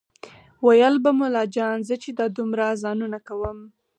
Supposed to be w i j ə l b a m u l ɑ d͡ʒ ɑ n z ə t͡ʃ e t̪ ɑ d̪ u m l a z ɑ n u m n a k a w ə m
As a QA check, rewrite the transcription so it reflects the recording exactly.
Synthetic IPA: w a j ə l b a m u l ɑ d͡ʒ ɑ n z ə t͡ʃ e d̪ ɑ d̪ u m ɾ a z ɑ n u n a k a w ə m